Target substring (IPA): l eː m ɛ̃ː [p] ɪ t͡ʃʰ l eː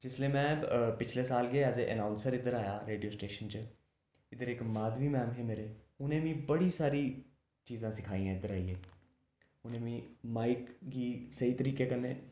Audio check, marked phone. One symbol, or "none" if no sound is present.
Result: p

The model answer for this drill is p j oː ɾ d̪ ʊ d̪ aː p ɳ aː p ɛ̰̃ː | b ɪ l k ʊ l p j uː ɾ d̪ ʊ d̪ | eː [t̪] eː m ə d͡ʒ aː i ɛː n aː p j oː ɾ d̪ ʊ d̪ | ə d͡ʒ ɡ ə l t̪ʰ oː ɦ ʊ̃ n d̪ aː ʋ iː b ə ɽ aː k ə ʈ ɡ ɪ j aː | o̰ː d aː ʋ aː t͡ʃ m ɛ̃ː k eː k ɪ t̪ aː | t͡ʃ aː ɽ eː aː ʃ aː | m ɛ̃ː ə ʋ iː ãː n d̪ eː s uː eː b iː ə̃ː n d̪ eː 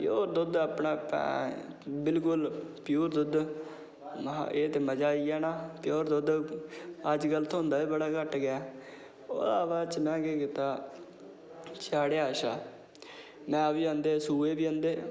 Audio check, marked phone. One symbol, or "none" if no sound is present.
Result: t̪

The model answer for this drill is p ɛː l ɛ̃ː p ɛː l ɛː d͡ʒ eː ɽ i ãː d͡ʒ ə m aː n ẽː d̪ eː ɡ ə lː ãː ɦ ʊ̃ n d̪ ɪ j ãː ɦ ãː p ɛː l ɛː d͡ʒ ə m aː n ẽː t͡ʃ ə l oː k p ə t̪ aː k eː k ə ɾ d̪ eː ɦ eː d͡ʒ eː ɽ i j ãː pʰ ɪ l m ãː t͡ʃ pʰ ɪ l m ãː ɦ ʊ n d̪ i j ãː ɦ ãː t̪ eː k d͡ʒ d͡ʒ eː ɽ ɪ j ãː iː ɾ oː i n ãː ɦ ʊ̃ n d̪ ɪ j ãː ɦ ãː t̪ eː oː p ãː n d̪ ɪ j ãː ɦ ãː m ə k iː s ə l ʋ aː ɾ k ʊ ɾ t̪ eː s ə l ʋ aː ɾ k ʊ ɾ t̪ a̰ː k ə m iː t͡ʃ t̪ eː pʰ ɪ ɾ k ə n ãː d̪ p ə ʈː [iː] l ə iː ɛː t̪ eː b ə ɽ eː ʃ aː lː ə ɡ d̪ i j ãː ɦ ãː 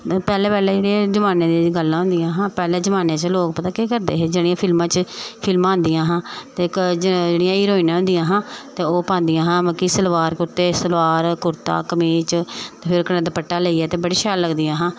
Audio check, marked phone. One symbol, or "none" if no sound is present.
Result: aː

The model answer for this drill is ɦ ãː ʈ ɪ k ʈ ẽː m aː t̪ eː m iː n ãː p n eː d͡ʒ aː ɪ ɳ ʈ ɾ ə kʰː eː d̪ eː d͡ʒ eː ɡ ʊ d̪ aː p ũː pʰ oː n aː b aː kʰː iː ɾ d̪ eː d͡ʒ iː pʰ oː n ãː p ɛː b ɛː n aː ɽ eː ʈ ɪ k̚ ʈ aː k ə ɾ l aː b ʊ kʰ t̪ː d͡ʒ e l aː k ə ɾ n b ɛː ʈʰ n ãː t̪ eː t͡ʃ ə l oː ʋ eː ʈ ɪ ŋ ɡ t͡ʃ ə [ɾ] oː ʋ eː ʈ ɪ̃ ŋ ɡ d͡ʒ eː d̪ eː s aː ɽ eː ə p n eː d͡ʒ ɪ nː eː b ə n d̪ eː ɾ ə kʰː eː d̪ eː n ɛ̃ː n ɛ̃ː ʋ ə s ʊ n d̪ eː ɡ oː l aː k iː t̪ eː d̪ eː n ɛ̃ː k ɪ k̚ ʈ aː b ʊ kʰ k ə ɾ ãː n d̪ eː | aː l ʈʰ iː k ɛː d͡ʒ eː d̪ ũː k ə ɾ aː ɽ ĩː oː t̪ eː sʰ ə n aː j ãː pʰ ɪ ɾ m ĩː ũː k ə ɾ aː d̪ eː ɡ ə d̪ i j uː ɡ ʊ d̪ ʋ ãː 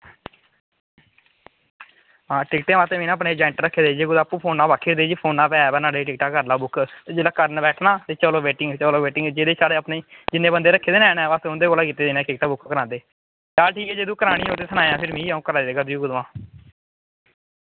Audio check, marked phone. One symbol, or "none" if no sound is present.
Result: l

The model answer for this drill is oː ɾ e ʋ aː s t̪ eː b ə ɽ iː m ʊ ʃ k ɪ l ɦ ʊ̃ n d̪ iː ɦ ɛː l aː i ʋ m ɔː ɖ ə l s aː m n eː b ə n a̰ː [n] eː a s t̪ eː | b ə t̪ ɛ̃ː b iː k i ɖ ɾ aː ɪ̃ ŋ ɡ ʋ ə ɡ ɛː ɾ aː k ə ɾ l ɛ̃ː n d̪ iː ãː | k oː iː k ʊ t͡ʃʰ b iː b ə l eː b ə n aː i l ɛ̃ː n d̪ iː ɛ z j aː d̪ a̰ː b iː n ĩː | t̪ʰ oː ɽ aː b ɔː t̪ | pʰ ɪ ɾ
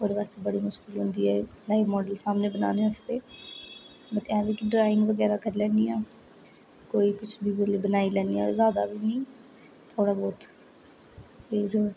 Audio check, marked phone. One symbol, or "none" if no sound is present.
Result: n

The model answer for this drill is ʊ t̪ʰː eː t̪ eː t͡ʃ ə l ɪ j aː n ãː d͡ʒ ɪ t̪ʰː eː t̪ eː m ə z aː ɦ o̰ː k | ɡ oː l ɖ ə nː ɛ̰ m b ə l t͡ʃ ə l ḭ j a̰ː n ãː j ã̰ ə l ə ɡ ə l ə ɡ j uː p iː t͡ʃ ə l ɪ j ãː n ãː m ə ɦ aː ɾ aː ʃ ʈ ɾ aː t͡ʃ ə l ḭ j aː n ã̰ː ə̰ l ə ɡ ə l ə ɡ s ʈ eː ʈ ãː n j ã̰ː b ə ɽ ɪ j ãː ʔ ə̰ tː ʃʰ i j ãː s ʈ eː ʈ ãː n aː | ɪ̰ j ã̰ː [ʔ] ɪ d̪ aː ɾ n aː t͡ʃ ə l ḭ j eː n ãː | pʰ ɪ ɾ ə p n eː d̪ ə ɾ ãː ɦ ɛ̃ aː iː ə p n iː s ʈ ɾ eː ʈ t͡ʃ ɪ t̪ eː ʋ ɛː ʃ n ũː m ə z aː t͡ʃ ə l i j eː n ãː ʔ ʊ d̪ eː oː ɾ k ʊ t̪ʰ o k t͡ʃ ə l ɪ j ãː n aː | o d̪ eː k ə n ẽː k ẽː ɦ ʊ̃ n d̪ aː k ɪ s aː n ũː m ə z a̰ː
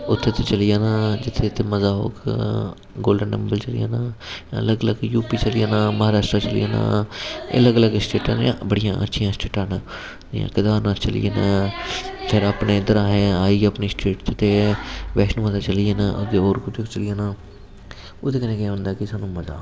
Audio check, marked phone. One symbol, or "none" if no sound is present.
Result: k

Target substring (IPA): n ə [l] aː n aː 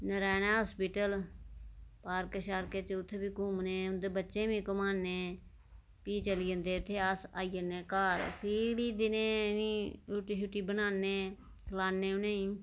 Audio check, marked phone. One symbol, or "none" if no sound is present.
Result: ɾ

